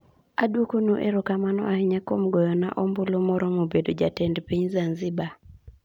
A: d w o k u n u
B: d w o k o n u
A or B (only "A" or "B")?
B